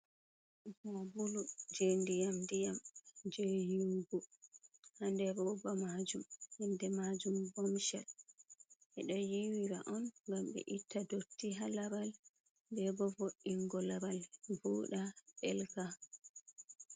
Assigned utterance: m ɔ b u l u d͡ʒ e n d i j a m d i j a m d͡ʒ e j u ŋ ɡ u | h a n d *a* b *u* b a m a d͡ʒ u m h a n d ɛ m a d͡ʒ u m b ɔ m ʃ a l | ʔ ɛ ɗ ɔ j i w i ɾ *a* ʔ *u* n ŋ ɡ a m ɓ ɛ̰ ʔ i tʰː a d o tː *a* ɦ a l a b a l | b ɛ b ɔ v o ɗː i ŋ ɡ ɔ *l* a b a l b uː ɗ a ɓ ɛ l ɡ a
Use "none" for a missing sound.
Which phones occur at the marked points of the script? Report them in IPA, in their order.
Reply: ɛ, ɔ, a, ɔ, i, l

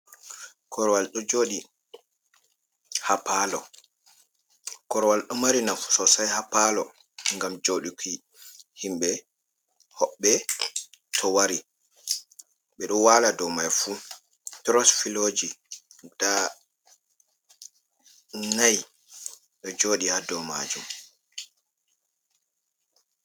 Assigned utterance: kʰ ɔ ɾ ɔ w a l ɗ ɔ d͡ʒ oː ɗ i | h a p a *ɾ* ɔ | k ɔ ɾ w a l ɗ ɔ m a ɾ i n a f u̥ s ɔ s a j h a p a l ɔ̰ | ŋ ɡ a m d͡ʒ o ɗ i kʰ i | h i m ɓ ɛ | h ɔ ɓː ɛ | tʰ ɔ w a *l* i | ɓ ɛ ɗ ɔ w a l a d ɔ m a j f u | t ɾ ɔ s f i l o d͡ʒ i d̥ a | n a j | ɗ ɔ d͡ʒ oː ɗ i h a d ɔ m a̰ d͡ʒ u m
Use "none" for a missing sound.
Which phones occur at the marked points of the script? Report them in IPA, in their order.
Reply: l, ɾ

